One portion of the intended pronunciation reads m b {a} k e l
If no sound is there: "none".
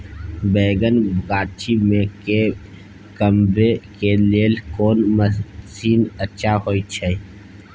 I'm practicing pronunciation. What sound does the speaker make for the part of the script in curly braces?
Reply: e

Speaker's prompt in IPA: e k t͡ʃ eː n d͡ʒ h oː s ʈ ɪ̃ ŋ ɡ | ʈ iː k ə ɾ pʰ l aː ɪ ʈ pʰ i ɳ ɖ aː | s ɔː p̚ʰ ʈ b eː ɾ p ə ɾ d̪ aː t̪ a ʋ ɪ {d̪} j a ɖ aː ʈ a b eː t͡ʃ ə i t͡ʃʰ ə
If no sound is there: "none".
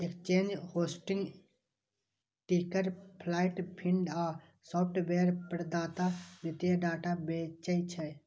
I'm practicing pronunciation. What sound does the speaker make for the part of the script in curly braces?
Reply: t̪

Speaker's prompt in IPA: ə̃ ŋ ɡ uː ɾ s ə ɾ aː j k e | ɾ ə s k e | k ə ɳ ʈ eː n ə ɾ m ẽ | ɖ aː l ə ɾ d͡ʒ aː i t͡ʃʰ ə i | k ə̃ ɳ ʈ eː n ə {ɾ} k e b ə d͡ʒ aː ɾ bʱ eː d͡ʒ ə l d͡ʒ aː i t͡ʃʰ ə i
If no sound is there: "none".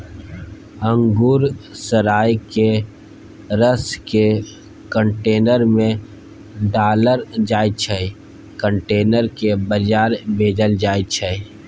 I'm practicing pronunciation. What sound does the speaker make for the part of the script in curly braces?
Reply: ɾ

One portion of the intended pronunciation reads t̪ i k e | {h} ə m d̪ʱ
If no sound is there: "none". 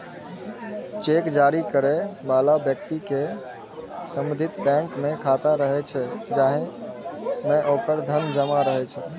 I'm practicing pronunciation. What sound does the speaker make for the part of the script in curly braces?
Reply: s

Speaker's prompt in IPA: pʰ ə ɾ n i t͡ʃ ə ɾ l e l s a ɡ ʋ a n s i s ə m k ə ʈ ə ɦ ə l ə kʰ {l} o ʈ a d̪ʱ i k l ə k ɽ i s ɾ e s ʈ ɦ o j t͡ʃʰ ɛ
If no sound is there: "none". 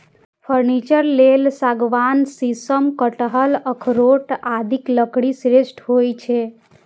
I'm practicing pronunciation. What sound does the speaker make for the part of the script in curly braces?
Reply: ɾ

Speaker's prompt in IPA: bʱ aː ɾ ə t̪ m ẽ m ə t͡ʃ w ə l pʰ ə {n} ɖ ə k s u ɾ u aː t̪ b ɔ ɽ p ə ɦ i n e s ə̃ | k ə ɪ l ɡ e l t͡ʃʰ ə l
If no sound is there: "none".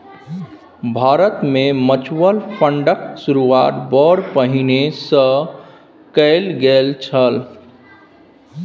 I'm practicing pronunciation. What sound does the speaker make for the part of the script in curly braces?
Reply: ɳ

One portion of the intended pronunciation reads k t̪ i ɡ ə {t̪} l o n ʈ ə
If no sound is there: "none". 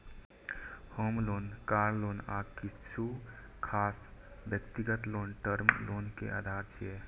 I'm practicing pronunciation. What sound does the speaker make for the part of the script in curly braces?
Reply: t̪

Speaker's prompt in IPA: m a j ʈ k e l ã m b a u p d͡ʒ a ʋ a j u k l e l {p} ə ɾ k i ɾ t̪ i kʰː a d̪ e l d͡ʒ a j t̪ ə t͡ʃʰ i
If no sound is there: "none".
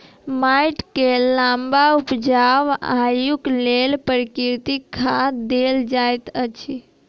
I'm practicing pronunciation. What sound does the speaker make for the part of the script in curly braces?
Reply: p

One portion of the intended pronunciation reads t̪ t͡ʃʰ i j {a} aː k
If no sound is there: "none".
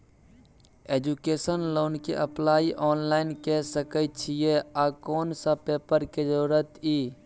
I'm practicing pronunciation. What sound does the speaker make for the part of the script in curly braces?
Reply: e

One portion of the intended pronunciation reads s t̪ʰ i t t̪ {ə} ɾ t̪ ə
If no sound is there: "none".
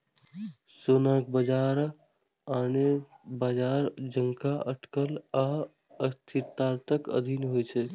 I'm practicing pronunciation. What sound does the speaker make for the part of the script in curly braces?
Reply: a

